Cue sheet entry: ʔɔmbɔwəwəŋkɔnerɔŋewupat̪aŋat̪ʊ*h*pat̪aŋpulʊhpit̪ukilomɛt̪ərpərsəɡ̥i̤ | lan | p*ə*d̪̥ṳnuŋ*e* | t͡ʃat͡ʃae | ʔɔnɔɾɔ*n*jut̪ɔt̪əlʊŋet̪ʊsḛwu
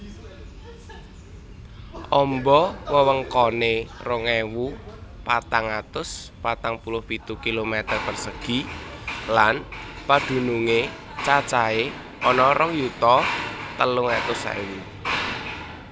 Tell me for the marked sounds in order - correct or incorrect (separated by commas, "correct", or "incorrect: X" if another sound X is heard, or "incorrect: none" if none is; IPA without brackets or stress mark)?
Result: incorrect: s, incorrect: a, correct, incorrect: ŋ